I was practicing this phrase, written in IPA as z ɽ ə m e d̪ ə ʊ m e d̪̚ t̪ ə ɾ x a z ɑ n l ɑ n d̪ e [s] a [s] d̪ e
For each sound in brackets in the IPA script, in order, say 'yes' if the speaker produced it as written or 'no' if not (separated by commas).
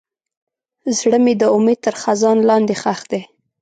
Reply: no, no